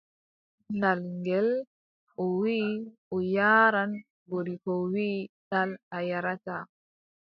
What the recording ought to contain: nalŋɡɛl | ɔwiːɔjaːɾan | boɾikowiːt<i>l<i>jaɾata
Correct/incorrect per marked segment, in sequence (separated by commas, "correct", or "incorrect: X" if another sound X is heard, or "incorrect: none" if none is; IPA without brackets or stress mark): incorrect: a, incorrect: a